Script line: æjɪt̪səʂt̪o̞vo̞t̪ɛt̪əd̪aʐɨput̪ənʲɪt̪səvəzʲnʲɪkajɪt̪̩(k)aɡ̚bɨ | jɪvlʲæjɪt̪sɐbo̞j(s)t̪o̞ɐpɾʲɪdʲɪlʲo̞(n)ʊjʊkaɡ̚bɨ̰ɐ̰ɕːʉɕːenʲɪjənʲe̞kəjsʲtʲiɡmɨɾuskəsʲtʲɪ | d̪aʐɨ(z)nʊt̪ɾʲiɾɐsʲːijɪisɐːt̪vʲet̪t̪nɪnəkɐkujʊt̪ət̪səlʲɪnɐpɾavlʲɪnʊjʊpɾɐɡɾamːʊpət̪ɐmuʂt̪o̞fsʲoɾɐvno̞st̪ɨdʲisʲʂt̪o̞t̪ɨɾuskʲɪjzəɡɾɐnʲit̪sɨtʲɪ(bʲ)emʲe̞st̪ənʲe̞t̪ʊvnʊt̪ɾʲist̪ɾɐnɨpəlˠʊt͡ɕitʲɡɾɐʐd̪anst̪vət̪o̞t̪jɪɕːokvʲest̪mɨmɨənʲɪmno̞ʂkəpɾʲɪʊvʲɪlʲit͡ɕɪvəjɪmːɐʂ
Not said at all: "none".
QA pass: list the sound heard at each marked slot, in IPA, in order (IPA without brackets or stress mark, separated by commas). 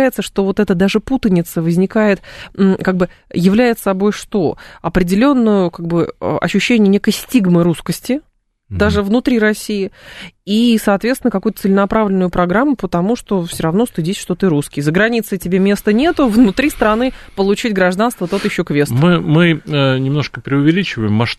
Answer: k, ʂ, nː, v, bʲ